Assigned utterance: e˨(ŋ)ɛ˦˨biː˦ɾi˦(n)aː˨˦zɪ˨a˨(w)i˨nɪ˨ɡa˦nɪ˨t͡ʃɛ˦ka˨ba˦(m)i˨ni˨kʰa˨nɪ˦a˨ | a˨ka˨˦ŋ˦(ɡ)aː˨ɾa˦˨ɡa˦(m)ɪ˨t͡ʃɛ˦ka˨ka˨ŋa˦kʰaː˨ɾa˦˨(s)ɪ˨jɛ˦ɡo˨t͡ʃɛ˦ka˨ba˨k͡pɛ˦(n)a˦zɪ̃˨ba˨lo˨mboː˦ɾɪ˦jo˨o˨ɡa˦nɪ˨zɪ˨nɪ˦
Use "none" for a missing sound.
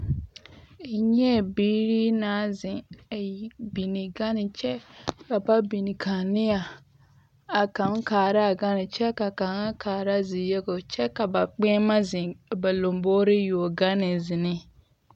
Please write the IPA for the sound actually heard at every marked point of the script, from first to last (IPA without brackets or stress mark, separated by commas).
ɲ, n, b, b, k, n, z, m